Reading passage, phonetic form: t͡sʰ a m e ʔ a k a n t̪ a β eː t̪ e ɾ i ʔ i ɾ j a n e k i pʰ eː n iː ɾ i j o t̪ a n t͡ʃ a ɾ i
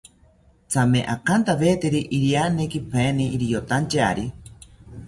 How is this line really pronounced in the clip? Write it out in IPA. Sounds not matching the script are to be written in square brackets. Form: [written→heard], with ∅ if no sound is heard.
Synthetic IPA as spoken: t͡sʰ a m e ʔ a k a n t̪ a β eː t̪ e ɾ i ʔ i ɾ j a n e k i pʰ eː n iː ɾ i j o t̪ a n t͡ʃ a ɾ i